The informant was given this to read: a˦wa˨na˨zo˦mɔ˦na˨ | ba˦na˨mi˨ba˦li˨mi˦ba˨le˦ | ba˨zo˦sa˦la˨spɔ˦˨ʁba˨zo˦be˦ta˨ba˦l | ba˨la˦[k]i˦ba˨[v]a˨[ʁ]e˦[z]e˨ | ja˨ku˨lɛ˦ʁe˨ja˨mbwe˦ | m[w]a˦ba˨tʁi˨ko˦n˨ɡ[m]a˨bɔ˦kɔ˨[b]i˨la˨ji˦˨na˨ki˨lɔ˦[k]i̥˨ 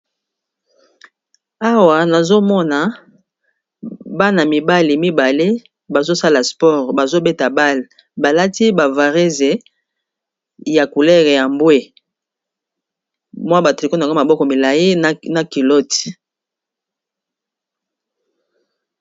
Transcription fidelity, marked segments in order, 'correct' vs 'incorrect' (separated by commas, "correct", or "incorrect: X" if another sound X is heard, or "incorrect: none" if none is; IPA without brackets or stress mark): incorrect: t, correct, correct, correct, correct, correct, incorrect: m, incorrect: t